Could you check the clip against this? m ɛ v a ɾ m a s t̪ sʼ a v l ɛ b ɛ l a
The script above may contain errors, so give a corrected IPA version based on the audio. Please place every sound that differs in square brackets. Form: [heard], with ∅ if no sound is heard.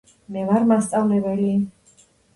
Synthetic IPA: m ɛ v a ɾ m a s t̪ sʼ a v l ɛ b ɛ l [i]